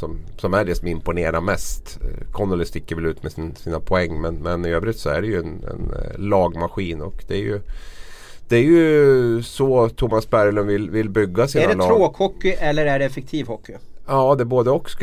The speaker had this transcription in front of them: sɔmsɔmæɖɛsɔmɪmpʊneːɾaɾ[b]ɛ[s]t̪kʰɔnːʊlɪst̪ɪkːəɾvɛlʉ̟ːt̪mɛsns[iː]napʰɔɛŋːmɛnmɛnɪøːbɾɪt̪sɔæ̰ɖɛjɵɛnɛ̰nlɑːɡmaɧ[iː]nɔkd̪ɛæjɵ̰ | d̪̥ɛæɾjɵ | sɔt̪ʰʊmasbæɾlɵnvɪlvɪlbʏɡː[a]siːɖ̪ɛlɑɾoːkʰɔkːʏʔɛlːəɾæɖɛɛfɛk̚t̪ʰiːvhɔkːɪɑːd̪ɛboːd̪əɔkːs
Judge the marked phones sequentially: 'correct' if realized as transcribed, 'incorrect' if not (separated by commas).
incorrect, correct, correct, correct, correct